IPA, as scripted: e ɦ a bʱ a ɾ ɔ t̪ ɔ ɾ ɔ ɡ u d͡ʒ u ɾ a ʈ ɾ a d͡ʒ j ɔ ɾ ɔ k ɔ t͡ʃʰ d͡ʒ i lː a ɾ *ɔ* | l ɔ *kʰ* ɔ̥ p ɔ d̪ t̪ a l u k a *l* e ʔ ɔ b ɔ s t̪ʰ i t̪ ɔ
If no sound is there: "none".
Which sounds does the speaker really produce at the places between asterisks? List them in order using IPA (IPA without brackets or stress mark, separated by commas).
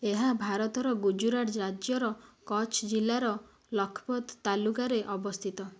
ɔ, kʰ, ɾ